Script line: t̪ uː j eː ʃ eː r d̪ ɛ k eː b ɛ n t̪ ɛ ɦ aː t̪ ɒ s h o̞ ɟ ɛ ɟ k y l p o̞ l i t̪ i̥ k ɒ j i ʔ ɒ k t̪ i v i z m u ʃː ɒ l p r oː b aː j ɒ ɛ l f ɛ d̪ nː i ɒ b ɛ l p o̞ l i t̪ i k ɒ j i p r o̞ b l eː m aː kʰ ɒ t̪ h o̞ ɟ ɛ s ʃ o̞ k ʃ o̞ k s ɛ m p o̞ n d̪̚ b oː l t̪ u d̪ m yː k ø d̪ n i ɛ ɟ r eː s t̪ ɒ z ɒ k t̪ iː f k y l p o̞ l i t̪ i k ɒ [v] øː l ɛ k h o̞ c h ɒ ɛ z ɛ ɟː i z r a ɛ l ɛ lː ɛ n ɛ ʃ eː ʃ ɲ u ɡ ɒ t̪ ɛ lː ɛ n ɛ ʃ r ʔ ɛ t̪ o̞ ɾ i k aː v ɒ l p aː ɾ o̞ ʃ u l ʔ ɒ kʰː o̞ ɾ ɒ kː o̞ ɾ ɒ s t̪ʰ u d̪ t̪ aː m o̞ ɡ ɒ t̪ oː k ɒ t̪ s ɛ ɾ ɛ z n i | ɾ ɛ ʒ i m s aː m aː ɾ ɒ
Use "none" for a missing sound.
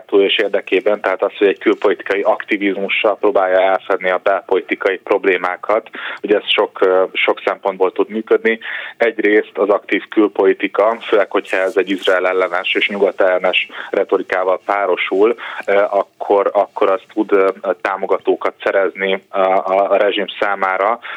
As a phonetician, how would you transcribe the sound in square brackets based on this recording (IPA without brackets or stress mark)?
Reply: f